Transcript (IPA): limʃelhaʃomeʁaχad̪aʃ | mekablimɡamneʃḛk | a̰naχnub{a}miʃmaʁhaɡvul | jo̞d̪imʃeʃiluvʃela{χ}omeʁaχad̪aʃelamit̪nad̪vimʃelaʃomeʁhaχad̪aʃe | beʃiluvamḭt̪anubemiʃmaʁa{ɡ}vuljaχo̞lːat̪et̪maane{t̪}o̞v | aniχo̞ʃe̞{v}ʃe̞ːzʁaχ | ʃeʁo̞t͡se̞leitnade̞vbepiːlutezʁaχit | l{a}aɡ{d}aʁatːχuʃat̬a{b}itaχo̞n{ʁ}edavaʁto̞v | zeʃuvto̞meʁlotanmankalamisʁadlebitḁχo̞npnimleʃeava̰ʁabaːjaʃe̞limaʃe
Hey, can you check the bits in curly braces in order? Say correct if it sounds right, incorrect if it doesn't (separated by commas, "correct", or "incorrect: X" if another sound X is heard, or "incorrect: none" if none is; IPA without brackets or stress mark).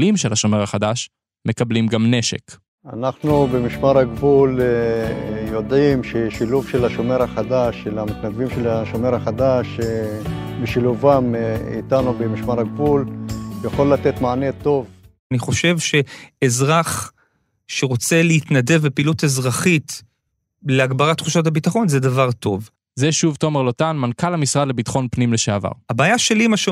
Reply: incorrect: e, incorrect: ʃ, correct, correct, correct, incorrect: e, incorrect: b, correct, incorrect: z